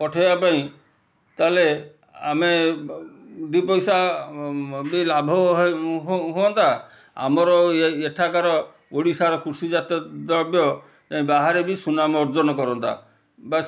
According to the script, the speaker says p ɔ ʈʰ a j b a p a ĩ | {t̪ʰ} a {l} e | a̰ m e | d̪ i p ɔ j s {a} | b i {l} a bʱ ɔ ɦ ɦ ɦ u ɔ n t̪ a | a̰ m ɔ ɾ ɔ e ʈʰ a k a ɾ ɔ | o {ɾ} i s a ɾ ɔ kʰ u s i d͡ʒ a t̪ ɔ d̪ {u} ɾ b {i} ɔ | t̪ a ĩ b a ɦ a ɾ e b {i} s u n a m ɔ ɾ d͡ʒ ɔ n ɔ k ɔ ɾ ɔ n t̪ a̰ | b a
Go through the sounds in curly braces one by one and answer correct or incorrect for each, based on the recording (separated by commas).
incorrect, correct, correct, correct, incorrect, incorrect, incorrect, correct